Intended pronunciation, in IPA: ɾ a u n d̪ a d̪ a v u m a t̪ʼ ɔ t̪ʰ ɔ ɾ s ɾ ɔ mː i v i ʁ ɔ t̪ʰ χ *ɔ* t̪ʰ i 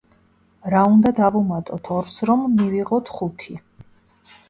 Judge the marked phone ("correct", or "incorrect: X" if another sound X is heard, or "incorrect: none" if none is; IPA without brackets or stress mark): incorrect: u